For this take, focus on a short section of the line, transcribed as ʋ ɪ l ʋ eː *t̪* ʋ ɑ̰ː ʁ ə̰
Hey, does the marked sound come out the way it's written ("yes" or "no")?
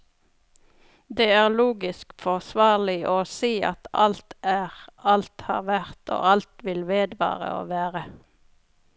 no